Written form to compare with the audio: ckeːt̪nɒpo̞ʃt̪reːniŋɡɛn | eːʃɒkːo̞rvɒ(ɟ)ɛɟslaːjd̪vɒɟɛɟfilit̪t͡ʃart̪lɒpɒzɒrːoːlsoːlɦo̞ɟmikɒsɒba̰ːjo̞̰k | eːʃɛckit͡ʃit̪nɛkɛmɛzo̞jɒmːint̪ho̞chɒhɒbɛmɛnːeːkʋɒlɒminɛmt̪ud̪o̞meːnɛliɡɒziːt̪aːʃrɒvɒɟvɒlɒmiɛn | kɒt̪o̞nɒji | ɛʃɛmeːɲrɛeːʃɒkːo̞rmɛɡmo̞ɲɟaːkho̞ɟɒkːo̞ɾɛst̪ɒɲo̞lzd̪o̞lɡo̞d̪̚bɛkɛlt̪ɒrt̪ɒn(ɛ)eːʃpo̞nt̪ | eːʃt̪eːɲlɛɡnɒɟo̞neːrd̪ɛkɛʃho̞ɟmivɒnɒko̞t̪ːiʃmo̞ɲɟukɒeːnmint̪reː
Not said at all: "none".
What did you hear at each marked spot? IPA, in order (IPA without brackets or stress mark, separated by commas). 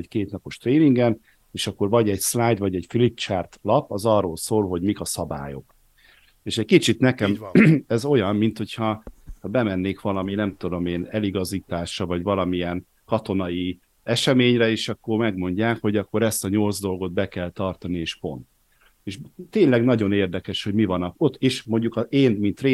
ɟ, i